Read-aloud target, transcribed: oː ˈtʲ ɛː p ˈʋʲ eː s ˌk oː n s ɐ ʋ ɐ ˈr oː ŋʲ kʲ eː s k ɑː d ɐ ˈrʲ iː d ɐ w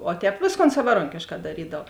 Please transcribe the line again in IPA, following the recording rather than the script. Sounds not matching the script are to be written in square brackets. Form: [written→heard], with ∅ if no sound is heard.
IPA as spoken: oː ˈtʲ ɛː p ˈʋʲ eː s ˌk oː n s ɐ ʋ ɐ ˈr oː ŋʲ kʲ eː [s→ʃ] k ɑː d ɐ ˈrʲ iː d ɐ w